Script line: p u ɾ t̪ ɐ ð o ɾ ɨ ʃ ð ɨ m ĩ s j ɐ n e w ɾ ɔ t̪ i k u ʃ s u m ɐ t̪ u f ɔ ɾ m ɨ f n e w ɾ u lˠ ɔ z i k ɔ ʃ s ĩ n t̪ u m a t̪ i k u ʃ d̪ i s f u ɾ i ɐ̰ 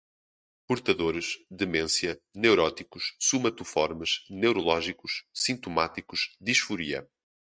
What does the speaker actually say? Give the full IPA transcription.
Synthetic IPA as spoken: p u ɾ t̪ ɐ ð o ɾ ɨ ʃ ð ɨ m ẽ s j ɐ n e w ɾ ɔ t̪ i k u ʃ s u m ɐ t̪ u f ɔ ɾ m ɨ ʃ n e w ɾ u lˠ ɔ ʒ i k u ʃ s ĩ n t̪ u m a t̪ i k u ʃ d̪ i ʃ f u ɾ i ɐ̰